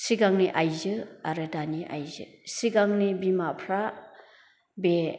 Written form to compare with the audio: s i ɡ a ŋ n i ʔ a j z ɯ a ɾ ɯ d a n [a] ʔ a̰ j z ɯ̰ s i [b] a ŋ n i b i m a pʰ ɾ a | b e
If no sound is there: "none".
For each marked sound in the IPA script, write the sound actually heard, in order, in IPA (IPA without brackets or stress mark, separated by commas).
i, ɡ